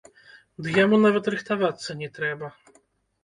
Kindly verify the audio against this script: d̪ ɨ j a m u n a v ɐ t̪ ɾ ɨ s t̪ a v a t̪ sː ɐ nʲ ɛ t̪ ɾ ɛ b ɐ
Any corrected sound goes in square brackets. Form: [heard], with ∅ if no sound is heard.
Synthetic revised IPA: d̪ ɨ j a m u n a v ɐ t̪ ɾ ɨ [x] t̪ a v a t̪ sː ɐ nʲ ɛ t̪ ɾ ɛ b ɐ